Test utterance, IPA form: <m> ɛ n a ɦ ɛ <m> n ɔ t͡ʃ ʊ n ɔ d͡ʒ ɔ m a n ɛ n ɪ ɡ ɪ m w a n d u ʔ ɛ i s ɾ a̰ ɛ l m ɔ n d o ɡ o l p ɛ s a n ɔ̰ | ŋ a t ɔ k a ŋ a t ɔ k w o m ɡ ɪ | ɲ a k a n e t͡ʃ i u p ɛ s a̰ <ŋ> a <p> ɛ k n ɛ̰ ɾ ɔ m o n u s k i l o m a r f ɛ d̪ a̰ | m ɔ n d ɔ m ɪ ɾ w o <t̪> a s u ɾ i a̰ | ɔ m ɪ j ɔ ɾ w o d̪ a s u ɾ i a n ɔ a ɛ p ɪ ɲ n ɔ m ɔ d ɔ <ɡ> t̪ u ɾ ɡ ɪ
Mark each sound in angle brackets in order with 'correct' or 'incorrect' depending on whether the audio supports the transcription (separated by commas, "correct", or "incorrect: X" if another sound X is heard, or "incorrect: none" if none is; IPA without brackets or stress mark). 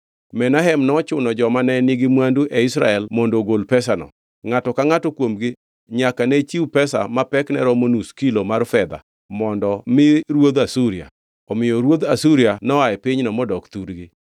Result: correct, correct, incorrect: m, correct, incorrect: d̪, incorrect: k